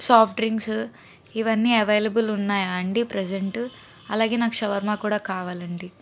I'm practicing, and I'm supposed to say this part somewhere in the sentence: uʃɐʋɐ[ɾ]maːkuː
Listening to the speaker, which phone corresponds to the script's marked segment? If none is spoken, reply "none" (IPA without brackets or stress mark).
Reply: ɾ